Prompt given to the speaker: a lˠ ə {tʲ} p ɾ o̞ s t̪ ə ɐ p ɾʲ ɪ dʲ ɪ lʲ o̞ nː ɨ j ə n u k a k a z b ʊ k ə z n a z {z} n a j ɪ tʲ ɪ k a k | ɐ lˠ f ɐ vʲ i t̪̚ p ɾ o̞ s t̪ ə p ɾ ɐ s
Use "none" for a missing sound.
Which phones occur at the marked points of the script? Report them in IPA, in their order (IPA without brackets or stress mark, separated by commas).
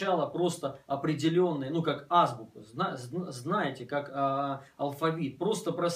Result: none, z